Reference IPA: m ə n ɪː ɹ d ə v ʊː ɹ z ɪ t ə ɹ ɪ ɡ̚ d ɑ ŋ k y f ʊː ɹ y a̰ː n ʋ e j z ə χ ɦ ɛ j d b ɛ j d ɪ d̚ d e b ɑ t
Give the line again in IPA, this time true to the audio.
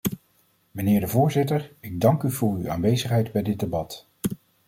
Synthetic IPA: m ə n ɪː ɹ d ə v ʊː ɹ z ɪ t ə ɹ ɪ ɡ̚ d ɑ ŋ k y v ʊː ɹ y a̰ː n ʋ e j z ə χ ɦ ɛ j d b ɛ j d ɪ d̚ d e b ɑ t